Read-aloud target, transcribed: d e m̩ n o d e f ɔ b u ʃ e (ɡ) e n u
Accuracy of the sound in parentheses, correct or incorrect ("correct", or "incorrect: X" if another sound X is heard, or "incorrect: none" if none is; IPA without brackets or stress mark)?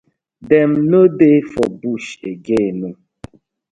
correct